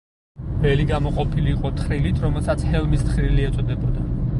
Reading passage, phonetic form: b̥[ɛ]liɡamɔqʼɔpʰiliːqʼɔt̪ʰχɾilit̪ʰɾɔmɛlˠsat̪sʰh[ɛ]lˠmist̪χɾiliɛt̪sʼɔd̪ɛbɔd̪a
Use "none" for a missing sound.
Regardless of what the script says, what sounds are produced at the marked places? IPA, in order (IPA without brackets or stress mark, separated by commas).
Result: ɛ, ɛ